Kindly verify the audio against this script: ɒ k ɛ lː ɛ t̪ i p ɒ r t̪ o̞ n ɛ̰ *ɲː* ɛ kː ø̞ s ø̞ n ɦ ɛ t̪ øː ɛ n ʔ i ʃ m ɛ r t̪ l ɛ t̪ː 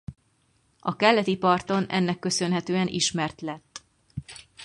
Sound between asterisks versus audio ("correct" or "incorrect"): incorrect